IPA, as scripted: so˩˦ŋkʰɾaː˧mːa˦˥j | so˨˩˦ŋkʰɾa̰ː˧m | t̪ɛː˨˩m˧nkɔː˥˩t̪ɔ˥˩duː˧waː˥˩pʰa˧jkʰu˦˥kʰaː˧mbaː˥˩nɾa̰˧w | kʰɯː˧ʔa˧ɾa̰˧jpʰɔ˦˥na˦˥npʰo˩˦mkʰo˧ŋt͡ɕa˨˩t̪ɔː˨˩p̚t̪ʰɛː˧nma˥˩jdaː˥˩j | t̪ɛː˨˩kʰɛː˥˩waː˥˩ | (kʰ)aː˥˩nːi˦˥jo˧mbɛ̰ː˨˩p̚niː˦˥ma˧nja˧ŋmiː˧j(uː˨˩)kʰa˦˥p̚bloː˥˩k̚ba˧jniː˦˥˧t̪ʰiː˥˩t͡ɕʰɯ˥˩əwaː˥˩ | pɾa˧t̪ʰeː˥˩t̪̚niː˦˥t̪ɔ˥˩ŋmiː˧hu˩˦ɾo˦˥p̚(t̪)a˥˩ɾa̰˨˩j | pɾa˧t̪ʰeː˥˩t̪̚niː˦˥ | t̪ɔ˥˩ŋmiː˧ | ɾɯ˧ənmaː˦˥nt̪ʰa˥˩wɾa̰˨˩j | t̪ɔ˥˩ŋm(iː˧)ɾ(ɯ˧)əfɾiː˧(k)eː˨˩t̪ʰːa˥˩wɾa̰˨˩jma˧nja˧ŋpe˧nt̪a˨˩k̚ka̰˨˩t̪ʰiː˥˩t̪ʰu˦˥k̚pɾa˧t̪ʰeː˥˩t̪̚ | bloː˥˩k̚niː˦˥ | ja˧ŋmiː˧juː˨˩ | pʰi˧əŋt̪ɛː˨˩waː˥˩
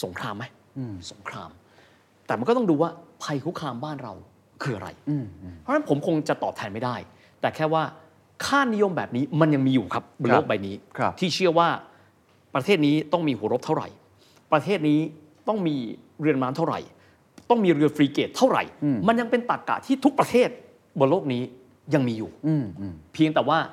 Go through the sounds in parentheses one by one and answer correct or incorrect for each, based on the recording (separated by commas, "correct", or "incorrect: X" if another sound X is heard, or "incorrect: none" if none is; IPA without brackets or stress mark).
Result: correct, correct, incorrect: t̪ʰ, correct, correct, correct